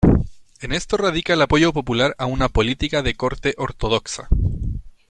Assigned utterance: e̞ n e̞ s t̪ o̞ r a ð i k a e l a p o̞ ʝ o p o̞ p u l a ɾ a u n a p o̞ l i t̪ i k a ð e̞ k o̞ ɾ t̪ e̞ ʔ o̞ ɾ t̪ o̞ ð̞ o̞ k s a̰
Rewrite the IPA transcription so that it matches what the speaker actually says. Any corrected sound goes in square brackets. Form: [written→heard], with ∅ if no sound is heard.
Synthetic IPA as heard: e̞ n e̞ s t̪ o̞ r a ð i k a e l a p o̞ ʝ o p o̞ p u l a ɾ a u n a p o̞ l i t̪ i k a ð e̞ k o̞ ɾ t̪ e̞ ʔ o̞ ɾ t̪ o̞ ð̞ o̞ k s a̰

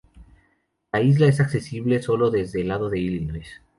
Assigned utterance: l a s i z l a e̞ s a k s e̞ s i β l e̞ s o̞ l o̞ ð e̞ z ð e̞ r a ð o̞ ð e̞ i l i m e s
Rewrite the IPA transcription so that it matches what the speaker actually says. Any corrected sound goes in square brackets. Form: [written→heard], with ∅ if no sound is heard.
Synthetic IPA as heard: l a [s→∅] i z l a e̞ s a k s e̞ s i β l e̞ s o̞ l o̞ ð e̞ z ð e̞ [r→l] a ð o̞ ð e̞ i l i [m→n] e s

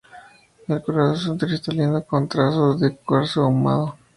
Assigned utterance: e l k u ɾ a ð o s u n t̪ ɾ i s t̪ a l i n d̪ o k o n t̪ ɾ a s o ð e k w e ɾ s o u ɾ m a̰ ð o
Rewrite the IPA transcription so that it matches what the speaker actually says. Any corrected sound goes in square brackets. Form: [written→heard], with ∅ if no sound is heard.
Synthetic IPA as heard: e l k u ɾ a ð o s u n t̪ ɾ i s t̪ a l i n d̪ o k o n t̪ ɾ a s o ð e k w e ɾ s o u [ɾ→∅] m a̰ ð o

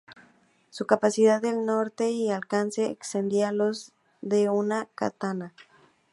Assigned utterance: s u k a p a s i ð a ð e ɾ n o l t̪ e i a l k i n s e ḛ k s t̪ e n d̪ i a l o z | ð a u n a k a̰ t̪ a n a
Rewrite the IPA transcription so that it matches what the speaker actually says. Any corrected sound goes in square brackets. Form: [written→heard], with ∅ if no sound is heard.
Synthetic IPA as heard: s u k a p a s i ð a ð e [ɾ→l] n o [l→ɾ] t̪ e i a l k [i→a] n s e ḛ k s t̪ e n d̪ i a l o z | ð [a→e] u n a k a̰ t̪ a n a

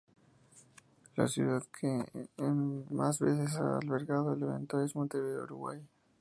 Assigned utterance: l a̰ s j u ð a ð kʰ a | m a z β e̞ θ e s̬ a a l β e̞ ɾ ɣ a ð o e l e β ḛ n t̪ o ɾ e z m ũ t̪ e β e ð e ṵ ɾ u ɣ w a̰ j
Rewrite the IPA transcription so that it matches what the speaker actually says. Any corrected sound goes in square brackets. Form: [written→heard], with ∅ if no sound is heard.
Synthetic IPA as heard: l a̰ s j u ð a ð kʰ [a→e] | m a z β e̞ θ e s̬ a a l β e̞ ɾ ɣ a ð o e l e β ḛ n t̪ o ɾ e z m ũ t̪ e β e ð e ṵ ɾ u ɣ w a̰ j

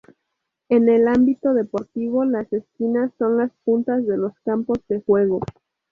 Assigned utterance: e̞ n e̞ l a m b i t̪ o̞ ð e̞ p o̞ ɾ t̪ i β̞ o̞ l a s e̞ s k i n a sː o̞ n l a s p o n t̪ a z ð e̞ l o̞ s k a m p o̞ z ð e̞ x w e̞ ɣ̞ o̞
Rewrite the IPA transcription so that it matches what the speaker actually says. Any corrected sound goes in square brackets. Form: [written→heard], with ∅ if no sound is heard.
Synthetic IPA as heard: e̞ n e̞ l a m b i t̪ o̞ ð e̞ p o̞ ɾ t̪ i β̞ o̞ l a s e̞ s k i n a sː o̞ n l a s p [o→u] n t̪ a z ð e̞ l o̞ s k a m p o̞ z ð e̞ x w e̞ ɣ̞ o̞

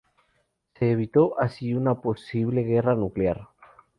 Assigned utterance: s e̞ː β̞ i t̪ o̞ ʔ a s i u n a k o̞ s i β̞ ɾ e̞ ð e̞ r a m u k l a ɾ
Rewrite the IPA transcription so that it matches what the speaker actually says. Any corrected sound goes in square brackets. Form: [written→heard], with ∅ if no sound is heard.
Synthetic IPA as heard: s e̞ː β̞ i t̪ o̞ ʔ a s i u n a [k→p] o̞ s i β̞ [ɾ→l] e̞ [ð→ɣ] e̞ r a [m→n] u k l a ɾ

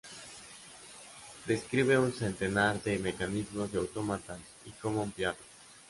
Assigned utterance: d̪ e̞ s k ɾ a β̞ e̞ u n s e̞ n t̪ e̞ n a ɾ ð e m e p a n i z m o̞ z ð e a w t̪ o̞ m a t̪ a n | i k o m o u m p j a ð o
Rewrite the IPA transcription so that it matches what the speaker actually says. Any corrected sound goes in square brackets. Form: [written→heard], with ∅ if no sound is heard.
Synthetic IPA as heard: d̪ e̞ s k ɾ [a→i] β̞ e̞ u n s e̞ n t̪ e̞ n a ɾ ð e m e [p→k] a n i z m o̞ z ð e a w t̪ o̞ m a t̪ a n | i k o m o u m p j a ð o

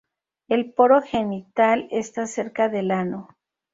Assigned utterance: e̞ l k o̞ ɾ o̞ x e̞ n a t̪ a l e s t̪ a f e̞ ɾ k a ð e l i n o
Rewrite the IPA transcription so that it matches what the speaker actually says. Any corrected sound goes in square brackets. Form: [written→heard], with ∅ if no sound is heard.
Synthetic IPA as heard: e̞ l [k→p] o̞ ɾ o̞ x e̞ n [a→i] t̪ a l e s t̪ a [f→s] e̞ ɾ k a ð e l [i→a] n o

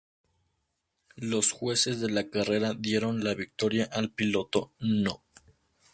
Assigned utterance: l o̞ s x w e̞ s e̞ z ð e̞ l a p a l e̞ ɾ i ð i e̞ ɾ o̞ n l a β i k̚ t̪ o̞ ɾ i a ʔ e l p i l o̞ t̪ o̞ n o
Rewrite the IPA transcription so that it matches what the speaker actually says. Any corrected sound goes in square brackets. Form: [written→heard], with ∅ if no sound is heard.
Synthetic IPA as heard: l o̞ s x w e̞ s e̞ z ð e̞ l a [p→k] a [l→r] e̞ ɾ [i→a] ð [i→j] e̞ ɾ o̞ n l a β i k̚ t̪ o̞ ɾ [i→j] a ʔ [e→a] l p i l o̞ t̪ o̞ n o

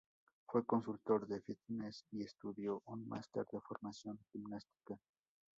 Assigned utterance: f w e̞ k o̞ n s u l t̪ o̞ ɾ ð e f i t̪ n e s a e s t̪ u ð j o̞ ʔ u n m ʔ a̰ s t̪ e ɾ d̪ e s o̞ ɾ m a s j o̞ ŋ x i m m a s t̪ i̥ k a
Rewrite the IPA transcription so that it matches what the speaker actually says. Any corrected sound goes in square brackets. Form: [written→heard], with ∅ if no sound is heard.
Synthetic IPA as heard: f w e̞ k o̞ n s u l t̪ o̞ ɾ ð e f i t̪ n e s [a→i] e s t̪ u ð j o̞ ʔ u n m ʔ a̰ s t̪ e ɾ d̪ e [s→f] o̞ ɾ m a s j o̞ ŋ x i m [m→n] a s t̪ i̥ k a

